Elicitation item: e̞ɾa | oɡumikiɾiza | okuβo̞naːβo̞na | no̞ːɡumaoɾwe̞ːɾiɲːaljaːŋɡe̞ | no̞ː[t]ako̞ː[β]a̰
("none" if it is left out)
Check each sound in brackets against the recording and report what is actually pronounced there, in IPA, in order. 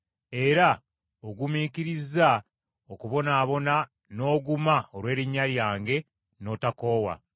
t, w

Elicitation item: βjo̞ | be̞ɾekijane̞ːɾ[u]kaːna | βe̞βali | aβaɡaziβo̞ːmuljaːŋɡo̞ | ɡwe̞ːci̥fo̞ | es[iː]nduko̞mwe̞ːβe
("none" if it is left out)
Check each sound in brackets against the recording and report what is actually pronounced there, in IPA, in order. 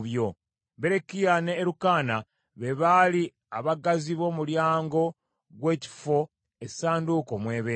u, aː

